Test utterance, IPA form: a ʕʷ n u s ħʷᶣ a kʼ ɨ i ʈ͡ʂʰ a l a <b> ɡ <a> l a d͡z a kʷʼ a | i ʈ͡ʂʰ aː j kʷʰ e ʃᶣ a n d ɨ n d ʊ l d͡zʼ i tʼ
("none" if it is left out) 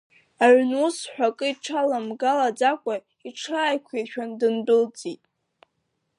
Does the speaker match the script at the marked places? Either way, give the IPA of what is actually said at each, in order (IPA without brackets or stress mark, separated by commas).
m, a